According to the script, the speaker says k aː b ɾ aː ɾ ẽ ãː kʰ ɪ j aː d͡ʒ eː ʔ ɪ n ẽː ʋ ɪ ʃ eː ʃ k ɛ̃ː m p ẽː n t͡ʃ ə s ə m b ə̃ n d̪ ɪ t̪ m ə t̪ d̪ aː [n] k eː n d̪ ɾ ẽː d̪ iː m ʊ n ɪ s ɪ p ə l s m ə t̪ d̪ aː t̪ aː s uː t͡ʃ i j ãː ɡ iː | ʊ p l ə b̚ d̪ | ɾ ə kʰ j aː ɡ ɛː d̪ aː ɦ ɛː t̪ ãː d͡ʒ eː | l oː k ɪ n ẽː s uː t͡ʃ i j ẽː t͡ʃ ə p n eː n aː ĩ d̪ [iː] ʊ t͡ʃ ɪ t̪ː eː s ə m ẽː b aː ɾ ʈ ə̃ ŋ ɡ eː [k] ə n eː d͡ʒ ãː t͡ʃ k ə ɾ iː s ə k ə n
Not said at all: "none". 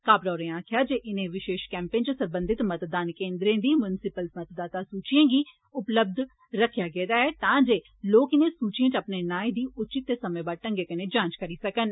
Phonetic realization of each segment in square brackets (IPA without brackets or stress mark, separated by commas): n, iː, k